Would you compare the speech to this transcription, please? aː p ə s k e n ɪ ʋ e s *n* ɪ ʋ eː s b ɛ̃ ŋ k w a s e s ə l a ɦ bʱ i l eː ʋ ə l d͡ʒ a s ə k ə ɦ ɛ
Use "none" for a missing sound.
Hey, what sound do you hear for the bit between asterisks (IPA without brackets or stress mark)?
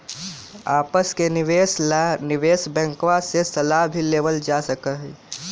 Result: n